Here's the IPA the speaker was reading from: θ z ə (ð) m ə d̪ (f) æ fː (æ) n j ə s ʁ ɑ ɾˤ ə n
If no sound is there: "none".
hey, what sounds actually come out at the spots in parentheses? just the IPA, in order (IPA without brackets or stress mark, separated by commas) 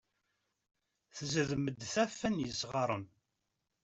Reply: ð, θ, æ